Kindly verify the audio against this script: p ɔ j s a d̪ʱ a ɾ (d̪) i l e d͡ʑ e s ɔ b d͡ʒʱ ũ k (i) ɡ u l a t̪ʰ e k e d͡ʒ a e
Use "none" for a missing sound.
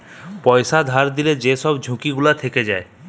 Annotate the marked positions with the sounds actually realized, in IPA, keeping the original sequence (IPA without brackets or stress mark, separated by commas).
d̪, i